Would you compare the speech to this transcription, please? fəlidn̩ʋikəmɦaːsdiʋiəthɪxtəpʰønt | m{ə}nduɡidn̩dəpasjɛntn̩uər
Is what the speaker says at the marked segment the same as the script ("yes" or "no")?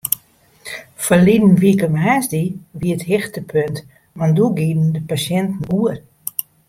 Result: no